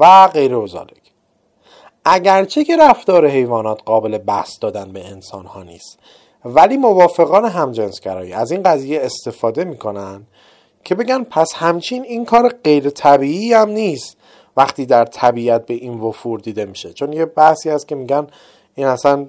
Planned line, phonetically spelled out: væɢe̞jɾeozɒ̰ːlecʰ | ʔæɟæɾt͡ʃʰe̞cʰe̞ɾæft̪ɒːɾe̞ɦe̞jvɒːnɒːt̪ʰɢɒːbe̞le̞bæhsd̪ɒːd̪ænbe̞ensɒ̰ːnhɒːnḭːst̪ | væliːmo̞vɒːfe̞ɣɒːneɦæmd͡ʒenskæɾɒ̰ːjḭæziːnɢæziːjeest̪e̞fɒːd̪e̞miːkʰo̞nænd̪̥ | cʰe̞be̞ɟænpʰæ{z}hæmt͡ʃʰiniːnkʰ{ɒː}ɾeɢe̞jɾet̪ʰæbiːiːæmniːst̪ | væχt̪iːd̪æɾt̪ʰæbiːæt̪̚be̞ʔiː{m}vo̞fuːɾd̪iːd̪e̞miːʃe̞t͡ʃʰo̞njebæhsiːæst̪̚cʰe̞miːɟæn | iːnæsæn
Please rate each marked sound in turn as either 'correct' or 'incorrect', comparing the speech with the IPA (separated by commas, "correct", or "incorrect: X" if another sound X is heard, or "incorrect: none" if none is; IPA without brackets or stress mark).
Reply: incorrect: s, correct, incorrect: n